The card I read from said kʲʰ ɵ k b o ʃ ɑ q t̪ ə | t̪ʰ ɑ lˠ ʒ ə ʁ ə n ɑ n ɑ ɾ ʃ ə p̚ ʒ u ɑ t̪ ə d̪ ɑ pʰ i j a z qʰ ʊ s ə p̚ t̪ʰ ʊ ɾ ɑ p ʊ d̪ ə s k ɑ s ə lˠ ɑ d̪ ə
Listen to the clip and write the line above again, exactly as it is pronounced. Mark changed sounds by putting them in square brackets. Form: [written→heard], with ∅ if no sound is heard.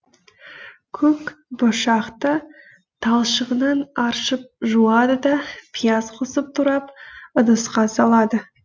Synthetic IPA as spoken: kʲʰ ɵ k b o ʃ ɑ q t̪ ə | t̪ʰ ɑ lˠ [ʒ→ʃ] ə ʁ ə n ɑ n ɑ ɾ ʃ ə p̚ ʒ u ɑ [t̪→d̪] ə d̪ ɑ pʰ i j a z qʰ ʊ s ə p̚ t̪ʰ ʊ ɾ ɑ p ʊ d̪ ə s [k→q] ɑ s [ə→ɑ] lˠ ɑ d̪ ə